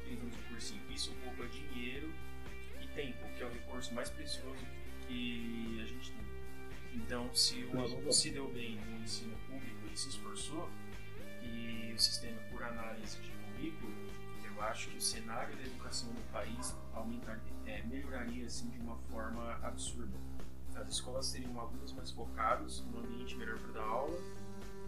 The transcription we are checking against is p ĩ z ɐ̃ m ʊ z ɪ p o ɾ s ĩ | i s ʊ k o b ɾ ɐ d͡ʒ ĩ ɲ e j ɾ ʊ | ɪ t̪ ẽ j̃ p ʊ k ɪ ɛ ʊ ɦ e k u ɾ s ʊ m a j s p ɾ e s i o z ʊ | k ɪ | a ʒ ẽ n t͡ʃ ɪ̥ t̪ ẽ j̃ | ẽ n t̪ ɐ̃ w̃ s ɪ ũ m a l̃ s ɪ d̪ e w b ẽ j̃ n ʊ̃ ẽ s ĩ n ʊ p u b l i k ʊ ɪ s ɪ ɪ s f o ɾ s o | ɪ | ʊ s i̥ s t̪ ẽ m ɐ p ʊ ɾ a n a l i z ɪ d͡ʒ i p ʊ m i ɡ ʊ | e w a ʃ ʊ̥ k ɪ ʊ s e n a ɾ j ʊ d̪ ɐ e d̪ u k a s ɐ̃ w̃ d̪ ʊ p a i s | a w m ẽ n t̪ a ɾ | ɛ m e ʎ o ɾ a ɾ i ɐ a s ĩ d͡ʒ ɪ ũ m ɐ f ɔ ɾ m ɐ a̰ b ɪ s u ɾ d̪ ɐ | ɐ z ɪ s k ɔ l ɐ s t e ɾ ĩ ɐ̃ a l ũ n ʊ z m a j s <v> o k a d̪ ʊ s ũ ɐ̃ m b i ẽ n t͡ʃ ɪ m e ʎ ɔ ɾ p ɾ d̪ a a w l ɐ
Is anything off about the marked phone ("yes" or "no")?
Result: yes